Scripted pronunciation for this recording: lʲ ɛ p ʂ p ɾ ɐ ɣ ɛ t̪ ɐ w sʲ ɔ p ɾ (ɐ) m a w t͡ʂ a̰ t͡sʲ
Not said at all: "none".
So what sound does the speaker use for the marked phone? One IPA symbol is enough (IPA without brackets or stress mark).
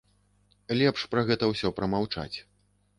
ɐ